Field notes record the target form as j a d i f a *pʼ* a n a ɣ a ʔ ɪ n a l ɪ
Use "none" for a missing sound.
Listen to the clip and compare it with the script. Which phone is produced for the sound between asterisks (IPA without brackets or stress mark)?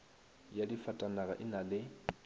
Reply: tʼ